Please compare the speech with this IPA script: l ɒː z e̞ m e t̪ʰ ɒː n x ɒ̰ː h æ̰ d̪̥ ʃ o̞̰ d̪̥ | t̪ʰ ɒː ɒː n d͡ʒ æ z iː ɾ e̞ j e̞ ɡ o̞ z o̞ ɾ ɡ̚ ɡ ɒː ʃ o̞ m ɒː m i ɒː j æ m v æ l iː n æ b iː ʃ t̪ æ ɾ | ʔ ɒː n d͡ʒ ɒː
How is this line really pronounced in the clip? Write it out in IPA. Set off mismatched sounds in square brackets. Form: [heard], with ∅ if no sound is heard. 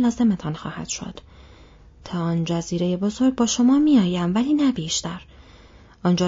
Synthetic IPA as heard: l ɒː z e̞ m e t̪ʰ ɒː n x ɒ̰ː h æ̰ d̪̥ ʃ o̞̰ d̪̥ | t̪ʰ ɒː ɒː n d͡ʒ æ z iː ɾ e̞ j e̞ [b] o̞ z o̞ ɾ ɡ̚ [b] ɒː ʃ o̞ m ɒː m i ɒː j æ m v æ l iː n æ b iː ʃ t̪ æ ɾ | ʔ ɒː n d͡ʒ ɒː